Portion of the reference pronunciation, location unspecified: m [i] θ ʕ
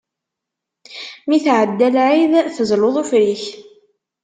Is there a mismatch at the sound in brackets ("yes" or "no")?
no